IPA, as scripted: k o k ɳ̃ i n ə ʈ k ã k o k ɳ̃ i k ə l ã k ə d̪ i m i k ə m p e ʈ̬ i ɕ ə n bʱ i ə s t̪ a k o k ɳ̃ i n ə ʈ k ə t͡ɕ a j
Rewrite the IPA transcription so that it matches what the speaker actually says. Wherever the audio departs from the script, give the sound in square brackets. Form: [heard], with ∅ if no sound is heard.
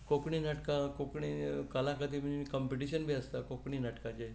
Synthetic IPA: k o k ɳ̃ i n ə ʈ k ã k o k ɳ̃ i k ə l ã k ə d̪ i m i k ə m p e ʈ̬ i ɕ ə n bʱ i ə s t̪ a k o k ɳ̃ i n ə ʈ k [a] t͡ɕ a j